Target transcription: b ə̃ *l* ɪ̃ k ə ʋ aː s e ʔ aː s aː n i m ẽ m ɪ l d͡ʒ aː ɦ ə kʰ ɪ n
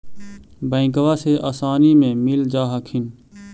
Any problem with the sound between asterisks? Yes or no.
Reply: yes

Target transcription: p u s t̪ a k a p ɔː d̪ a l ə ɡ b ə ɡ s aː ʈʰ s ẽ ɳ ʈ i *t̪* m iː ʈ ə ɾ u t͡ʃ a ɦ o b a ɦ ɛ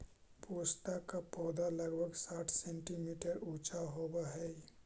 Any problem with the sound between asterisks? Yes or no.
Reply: yes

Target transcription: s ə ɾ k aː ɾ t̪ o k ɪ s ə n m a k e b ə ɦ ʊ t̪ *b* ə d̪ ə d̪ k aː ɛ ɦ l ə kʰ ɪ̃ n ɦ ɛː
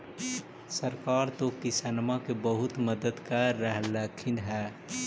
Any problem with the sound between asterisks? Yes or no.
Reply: yes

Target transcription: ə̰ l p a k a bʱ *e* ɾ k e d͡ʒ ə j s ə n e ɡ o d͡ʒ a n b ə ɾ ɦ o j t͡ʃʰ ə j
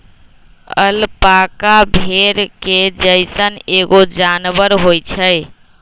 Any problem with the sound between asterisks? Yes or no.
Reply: no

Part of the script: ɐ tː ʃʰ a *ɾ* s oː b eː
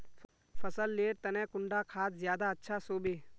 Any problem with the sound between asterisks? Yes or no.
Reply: yes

